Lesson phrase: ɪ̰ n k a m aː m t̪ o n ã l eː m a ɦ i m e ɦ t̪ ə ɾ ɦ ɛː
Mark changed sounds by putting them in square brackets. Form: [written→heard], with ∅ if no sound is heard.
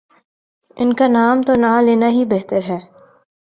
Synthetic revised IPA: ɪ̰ n k a [m→n] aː m t̪ o n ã l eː [m→n] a ɦ i [m→b] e ɦ t̪ ə ɾ ɦ ɛː